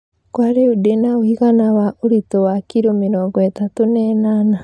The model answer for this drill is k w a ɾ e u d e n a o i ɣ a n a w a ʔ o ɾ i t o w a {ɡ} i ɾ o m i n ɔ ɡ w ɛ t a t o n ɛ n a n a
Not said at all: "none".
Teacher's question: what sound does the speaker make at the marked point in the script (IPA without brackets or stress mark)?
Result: k